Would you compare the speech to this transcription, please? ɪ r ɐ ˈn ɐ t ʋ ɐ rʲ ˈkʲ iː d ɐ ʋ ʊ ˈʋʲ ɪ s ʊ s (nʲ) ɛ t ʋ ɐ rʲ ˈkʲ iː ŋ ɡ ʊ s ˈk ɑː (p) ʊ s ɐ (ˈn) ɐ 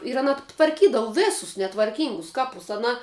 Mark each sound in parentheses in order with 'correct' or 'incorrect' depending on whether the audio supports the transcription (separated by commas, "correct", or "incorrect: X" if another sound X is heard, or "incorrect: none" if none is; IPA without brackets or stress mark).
correct, correct, correct